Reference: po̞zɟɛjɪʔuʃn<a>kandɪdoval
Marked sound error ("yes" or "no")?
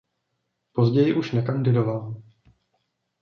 yes